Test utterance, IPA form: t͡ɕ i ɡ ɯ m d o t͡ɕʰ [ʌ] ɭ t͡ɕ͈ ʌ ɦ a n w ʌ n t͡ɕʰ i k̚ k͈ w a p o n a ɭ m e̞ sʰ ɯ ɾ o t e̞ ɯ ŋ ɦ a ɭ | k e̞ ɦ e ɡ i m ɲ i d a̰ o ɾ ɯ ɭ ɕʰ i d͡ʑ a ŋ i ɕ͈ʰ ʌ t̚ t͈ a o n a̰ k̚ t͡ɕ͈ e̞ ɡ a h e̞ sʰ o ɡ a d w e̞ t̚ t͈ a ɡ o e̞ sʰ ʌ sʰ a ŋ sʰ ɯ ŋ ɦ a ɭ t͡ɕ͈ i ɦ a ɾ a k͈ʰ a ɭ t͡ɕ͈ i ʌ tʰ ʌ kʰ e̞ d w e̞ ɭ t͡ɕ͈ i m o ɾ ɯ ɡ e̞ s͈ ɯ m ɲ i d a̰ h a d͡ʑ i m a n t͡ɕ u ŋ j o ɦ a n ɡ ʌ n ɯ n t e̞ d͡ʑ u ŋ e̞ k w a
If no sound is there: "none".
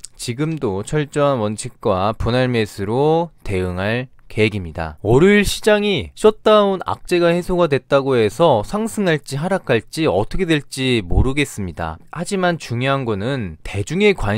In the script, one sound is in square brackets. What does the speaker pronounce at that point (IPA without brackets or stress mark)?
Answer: ʌ